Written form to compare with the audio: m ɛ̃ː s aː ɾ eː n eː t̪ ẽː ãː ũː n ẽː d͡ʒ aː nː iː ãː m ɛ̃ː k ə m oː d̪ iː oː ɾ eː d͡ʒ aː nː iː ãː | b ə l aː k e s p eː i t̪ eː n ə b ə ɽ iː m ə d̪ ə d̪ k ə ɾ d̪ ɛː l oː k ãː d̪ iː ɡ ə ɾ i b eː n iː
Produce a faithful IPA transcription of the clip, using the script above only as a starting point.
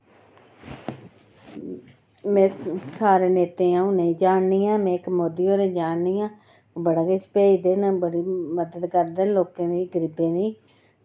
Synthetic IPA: m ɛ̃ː s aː ɾ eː n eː t̪ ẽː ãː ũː n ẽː d͡ʒ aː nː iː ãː m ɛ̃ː k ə m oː d̪ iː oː ɾ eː d͡ʒ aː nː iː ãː | b ə ɽ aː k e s p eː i d̪ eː n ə b ə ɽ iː m ə d̪ ə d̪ k ə ɾ d̪ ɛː l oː k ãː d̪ iː ɡ ə ɾ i b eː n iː